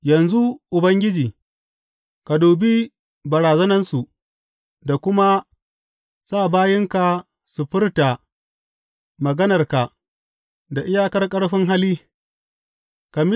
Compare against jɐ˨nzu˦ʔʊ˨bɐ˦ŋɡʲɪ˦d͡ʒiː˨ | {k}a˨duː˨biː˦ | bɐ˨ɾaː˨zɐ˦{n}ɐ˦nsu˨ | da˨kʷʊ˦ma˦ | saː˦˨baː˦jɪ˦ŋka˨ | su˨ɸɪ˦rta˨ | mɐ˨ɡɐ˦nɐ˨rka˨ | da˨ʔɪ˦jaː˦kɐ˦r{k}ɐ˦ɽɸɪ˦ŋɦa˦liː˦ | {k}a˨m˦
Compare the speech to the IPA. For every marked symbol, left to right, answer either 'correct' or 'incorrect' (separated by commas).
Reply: correct, correct, incorrect, correct